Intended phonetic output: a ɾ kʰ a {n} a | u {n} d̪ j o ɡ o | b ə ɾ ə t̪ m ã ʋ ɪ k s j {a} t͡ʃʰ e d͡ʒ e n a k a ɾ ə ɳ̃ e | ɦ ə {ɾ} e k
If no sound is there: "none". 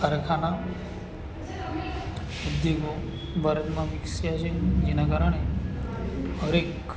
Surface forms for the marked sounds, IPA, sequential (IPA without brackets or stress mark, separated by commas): n, none, a, ɾ